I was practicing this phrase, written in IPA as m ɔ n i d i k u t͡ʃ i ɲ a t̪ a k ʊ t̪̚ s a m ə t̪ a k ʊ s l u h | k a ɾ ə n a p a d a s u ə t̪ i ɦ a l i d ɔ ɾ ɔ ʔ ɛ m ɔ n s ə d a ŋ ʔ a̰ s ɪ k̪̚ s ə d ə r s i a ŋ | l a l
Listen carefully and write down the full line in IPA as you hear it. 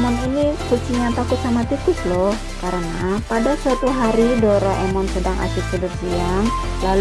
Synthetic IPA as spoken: m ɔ n i n i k u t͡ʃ i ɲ a t̪ a k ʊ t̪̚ s a m a t̪ i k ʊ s l ɔ h | k a ɾ ə n a p a d a s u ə t̪ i ɦ a ɾ i d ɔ ɾ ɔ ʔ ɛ m ɔ n s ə d a ŋ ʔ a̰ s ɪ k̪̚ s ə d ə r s i a ŋ | l a l